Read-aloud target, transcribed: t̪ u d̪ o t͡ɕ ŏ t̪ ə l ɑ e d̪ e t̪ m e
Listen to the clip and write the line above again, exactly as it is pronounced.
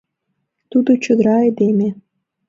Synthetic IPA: t̪ u d̪ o t͡ɕ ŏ d̪ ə ɾ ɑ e d̪ e m e